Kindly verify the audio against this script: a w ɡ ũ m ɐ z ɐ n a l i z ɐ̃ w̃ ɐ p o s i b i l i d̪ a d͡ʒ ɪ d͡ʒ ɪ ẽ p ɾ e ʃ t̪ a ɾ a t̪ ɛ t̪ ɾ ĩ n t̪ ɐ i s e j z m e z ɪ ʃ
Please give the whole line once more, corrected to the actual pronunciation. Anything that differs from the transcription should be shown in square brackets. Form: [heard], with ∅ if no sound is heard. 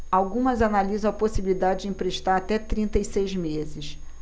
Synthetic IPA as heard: a w ɡ ũ m ɐ z [a] n a l i z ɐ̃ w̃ ɐ p o s i b i l i d̪ a d͡ʒ ɪ d͡ʒ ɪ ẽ p ɾ e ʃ t̪ a ɾ a t̪ ɛ t̪ ɾ ĩ n t̪ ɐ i s e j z m e z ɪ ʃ